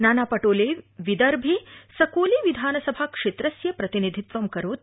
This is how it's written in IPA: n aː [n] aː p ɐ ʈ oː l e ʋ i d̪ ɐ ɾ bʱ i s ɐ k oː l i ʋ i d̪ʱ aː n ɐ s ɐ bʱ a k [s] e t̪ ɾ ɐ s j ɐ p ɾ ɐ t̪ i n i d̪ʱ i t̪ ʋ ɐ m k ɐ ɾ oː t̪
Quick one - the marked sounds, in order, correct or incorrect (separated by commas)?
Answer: correct, incorrect